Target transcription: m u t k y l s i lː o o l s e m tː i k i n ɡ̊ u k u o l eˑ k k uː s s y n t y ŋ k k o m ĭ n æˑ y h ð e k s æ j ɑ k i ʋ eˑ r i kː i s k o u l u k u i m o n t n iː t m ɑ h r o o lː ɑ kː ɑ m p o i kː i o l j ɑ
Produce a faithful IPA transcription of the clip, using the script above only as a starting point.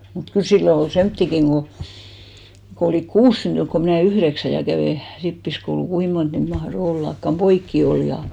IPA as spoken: m u t k y l s i lː o o l s e m tː i k i ŋ ɡ̊ o k o o l iˑ k k uː s s y n t y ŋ k k o m ĭ n æˑ y h ð e k s æ j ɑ k æ ʋ eˑ r i pː i s k o u l u k u i m o n t n iː t m ɑ h r o o lː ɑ kː ɑ m p o i kː i o l j ɑ